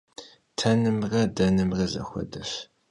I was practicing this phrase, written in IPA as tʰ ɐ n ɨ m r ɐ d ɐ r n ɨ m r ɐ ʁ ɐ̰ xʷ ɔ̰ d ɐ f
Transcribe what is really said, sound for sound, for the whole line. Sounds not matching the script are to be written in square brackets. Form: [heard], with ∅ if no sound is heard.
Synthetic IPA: tʰ ɐ n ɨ m r ɐ d ɐ [∅] n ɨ m r ɐ [z] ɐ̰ xʷ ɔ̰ d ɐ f